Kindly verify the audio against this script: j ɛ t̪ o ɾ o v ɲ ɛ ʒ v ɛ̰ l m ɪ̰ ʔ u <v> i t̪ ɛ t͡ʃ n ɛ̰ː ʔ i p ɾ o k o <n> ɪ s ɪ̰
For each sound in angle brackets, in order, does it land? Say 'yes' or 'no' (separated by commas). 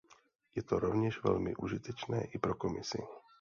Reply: no, no